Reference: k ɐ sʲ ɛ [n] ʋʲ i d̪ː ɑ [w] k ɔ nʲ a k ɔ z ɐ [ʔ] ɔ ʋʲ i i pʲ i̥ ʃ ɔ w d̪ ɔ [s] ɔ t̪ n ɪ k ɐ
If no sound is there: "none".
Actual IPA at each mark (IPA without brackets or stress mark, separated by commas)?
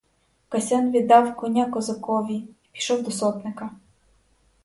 n, w, k, s